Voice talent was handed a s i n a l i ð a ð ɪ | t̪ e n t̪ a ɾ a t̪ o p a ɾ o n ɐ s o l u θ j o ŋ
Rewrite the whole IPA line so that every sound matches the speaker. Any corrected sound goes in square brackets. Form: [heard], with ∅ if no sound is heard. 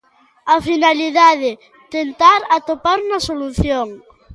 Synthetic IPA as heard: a [f] i n a l i ð a ð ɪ | t̪ e n t̪ a ɾ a t̪ o p a ɾ [u] n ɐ s o l u θ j o ŋ